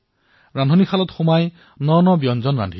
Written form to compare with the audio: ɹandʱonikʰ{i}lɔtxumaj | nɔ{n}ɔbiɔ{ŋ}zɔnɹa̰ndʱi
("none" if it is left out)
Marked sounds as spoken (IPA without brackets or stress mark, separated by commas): a, n, n